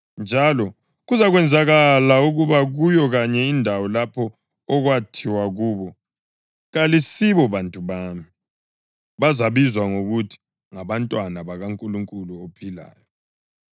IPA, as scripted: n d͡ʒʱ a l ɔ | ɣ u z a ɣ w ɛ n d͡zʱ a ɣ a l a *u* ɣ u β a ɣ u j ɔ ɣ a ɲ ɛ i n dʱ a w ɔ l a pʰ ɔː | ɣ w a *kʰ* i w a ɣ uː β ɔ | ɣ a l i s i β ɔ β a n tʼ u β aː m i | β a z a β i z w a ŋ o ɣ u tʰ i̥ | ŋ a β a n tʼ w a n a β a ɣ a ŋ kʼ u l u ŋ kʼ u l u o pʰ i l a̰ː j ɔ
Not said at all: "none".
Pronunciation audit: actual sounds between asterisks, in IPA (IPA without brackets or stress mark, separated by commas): u, tʰ